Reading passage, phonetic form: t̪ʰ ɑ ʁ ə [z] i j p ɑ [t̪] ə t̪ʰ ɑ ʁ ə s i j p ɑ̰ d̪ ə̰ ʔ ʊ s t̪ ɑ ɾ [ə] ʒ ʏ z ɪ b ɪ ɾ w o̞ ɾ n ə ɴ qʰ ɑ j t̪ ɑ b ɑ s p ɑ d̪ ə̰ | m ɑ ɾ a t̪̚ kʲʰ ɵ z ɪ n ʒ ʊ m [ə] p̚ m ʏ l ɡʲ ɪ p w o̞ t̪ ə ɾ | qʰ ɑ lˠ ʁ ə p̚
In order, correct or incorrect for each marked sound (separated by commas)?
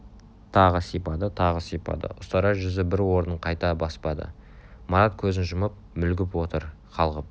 incorrect, incorrect, incorrect, correct